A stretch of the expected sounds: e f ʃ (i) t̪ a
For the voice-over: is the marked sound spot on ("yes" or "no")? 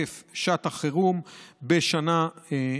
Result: no